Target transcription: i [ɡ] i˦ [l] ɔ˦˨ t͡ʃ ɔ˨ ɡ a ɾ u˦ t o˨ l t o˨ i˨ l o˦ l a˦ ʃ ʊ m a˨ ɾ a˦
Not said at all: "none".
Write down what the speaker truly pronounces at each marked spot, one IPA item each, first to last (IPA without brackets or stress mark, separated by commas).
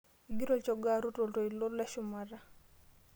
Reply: ɡ, ɾ